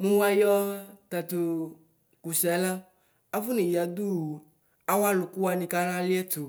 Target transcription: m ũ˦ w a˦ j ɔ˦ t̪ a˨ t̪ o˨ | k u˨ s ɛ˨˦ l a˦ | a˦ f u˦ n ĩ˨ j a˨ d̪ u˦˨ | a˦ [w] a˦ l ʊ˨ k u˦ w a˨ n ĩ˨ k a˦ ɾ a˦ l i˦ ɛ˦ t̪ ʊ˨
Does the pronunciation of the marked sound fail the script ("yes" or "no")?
no